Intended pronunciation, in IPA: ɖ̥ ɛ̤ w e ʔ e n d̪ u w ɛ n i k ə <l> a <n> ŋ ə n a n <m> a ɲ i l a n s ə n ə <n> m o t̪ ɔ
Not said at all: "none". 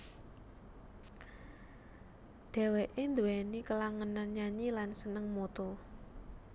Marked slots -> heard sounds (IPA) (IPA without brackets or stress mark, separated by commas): l, none, ɲ, ŋ